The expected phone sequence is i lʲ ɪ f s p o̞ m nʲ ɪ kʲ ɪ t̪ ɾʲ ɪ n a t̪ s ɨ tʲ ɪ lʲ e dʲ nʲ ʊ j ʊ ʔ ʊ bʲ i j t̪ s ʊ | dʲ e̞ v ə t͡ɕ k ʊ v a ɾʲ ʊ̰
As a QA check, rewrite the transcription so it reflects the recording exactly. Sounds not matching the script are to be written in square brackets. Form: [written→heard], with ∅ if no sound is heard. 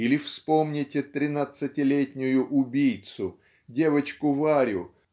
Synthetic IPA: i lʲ ɪ f s p o̞ m nʲ ɪ [kʲ→tʲ] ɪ t̪ ɾʲ ɪ n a t̪ s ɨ tʲ ɪ lʲ e [dʲ→tʲ] nʲ ʊ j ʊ ʔ ʊ bʲ i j t̪ s ʊ | dʲ e̞ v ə t͡ɕ k ʊ v a ɾʲ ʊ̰